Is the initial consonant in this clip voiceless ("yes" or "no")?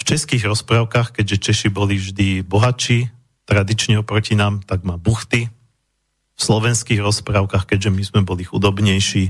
yes